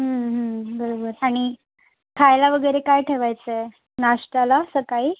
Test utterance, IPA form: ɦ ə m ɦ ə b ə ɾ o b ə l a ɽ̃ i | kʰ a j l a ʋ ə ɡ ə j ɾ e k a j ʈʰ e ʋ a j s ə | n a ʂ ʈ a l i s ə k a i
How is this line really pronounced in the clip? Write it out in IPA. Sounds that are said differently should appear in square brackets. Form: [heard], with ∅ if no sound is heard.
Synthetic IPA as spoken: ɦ ə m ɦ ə b ə ɾ o b ə [ɾ] a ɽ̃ i | kʰ a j l a ʋ ə ɡ ə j ɾ e k a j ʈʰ e ʋ a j [t͡s] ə | n a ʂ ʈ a l [a] s ə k a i